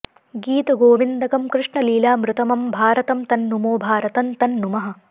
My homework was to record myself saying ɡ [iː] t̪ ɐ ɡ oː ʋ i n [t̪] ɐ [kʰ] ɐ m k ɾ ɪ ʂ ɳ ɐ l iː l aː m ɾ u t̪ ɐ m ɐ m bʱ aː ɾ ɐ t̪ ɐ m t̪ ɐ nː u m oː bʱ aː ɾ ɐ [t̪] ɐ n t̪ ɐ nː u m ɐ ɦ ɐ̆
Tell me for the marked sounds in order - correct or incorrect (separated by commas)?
correct, incorrect, incorrect, correct